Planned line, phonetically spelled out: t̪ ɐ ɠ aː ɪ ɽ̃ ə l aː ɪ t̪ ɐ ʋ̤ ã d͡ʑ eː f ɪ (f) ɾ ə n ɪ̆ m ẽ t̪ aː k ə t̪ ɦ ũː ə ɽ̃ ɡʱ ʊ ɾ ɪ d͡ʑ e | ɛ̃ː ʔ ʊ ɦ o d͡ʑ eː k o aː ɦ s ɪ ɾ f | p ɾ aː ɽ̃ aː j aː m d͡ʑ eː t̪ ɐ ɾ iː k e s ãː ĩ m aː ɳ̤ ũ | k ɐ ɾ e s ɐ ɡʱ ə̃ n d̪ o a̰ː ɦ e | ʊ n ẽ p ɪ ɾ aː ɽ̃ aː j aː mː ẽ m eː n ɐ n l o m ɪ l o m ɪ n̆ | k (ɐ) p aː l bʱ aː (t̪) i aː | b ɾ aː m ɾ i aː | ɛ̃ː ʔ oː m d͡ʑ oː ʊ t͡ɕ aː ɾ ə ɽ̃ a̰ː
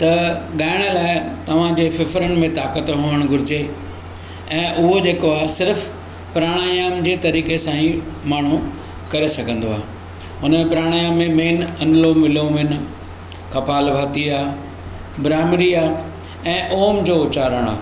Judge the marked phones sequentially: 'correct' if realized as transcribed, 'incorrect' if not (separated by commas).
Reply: correct, correct, correct